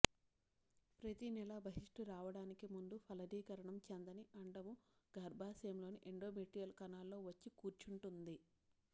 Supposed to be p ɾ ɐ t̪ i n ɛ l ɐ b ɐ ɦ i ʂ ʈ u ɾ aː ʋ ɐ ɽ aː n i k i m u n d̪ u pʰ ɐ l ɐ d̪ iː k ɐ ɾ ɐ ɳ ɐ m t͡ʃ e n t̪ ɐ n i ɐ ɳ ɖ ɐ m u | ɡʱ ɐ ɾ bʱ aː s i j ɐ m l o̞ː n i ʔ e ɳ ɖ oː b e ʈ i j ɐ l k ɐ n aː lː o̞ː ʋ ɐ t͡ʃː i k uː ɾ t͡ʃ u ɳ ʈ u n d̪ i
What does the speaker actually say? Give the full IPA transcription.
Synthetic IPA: p ɾ ɐ t̪ i n ɛ l ɐ b ɐ ɦ i ʂ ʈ u ɾ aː ʋ ɐ ɽ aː n i k i m u n d̪ u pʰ ɐ l ɐ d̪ iː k ɐ ɾ ɐ ɳ ɐ m t͡ʃ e n d̪ ɐ n i ɐ ɳ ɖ ɐ m u | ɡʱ ɐ ɾ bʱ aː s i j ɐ m l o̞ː n i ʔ e ɳ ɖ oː m e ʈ i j ɐ l k ɐ n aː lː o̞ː ʋ ɐ t͡ʃː i k uː ɾ t͡ʃ u ɳ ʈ u n d̪ i